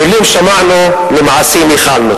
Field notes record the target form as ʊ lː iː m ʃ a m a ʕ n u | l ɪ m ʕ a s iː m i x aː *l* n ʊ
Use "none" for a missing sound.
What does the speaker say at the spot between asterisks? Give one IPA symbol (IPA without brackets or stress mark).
l